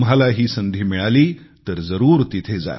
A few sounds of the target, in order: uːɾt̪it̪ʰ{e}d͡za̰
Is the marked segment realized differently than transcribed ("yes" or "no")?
no